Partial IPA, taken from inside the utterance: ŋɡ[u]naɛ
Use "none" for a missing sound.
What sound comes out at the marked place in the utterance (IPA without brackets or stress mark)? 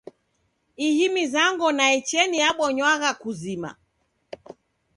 ɔ